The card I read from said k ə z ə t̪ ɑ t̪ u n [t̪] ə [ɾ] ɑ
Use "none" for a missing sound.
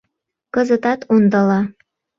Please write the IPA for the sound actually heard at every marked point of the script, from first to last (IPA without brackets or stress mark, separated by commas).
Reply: d̪, l